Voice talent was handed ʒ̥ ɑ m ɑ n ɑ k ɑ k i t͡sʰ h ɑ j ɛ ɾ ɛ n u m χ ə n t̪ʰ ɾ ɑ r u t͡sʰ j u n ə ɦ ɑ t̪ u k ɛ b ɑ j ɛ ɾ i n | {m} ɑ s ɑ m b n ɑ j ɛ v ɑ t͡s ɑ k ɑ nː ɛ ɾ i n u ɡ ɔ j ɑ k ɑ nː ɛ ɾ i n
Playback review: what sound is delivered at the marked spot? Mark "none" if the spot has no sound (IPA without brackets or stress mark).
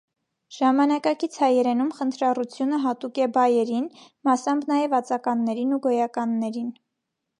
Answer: m